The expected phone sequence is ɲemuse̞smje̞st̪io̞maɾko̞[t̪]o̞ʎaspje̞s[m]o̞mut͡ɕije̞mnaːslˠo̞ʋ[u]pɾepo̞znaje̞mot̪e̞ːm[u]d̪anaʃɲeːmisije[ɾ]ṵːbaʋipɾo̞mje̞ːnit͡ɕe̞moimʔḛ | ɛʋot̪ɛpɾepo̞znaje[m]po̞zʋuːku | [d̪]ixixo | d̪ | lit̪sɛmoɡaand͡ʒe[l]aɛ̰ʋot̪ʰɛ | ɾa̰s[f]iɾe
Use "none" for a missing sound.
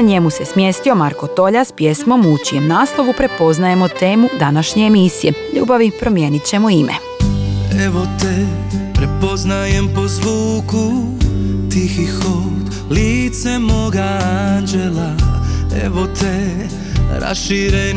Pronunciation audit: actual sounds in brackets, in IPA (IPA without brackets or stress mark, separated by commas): t̪, m, u, u, ʎ, m, t̪, l, ʃ